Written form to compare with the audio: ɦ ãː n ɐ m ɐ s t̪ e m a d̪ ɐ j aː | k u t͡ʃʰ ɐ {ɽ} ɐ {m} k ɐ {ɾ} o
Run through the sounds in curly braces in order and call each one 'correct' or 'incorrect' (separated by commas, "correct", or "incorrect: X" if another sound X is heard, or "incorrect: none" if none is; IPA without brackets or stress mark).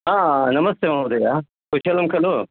incorrect: l, correct, incorrect: l